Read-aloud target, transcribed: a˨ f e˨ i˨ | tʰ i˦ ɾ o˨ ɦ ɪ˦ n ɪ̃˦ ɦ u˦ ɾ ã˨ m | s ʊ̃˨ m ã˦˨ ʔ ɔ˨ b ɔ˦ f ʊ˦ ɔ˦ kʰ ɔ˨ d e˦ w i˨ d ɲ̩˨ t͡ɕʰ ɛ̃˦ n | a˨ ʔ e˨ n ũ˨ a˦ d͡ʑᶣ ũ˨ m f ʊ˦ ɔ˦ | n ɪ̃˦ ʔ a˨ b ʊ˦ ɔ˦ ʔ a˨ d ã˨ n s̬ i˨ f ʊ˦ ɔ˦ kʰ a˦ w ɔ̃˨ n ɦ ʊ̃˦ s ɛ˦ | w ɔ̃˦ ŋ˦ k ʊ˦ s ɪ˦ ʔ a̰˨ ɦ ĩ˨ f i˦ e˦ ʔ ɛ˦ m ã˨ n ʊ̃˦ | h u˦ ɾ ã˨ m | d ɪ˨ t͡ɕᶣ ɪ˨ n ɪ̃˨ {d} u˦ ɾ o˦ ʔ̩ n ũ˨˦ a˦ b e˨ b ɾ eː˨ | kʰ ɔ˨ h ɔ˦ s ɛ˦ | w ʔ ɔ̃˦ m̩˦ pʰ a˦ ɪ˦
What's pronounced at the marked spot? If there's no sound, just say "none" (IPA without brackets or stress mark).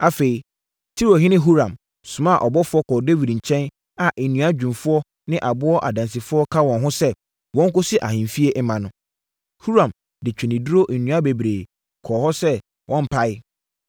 d